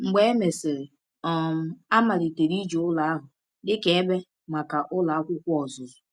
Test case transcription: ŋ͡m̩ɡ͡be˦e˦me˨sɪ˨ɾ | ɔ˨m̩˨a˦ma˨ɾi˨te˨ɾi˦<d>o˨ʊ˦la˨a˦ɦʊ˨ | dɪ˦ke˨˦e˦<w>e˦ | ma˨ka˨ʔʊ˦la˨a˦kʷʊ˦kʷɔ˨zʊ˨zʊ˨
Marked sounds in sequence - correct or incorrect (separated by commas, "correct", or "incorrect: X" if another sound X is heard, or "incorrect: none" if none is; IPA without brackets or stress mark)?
incorrect: d͡ʒ, incorrect: b